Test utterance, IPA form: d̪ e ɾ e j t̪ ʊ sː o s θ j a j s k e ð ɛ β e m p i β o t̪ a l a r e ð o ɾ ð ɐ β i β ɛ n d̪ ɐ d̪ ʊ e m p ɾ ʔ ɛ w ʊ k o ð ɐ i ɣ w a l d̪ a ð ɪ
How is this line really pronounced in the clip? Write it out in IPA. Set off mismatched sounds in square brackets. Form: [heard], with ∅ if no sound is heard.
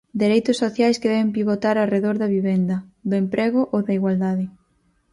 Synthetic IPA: d̪ e ɾ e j t̪ ʊ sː o [∅] θ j a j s k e ð ɛ β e m p i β o t̪ a [ɾ] a r e ð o ɾ ð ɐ β i β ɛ n d̪ ɐ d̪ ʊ e m p ɾ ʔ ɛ [ɣ] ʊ [ʔ] o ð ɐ i ɣ w a l d̪ a ð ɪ

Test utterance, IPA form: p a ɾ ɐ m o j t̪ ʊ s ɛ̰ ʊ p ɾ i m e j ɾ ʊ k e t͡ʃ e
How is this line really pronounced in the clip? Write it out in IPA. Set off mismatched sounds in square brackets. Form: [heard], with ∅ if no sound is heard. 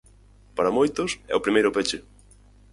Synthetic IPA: p a ɾ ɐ m o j t̪ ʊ s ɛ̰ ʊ p ɾ i m e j ɾ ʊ [p] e t͡ʃ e

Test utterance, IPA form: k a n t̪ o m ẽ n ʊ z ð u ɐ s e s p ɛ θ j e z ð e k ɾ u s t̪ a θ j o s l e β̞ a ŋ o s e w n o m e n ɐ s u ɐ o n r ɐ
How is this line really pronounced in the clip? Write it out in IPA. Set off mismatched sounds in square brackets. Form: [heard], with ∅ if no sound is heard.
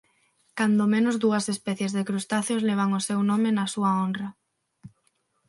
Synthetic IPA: k a n [d̪] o m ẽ n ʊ z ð u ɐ s e s p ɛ θ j e z ð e k ɾ u s t̪ a θ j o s l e β̞ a ŋ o s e w n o m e n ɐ s u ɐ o n r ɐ

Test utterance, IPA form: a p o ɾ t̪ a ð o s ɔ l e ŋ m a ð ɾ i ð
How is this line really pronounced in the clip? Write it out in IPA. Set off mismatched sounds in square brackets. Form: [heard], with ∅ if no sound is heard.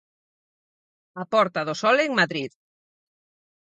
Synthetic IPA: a p [ɔ] ɾ t̪ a ð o s ɔ l e ŋ m a ð ɾ i ð

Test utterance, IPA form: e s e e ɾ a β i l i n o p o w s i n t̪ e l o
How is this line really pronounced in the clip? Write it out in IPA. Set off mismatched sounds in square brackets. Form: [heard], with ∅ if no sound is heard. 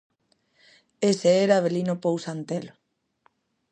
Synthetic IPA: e s e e ɾ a β [e] l i n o p o w s [a] n t̪ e l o

